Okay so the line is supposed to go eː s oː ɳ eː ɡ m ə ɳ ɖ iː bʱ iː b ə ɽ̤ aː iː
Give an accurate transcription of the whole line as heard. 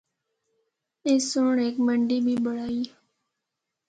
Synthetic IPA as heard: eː s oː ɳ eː k m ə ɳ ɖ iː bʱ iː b ə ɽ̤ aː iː